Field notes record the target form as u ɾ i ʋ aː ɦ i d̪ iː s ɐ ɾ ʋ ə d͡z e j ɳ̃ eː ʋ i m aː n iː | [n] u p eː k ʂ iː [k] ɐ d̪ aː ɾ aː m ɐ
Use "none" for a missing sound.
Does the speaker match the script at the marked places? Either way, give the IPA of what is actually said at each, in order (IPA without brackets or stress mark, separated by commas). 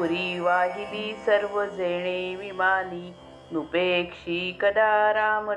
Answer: n, k